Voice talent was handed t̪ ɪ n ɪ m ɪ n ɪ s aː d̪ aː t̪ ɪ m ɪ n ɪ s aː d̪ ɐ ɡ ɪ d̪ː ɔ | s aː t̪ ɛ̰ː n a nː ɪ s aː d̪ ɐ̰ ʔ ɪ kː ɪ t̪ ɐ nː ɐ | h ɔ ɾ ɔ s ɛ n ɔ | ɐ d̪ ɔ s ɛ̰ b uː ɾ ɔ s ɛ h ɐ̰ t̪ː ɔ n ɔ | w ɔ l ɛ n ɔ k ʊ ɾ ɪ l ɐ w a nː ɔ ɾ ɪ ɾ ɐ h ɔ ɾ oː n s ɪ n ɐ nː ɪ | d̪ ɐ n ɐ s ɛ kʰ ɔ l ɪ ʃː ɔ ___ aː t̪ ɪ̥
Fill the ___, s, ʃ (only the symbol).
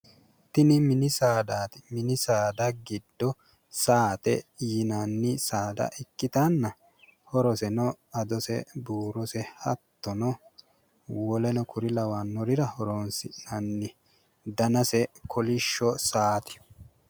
s